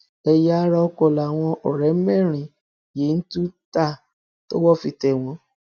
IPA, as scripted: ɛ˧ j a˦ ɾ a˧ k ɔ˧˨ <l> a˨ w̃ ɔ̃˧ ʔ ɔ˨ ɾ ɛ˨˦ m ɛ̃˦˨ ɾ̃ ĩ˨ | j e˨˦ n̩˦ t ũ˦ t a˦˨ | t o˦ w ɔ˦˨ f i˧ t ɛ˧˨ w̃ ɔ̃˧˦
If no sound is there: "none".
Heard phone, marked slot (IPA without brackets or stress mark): l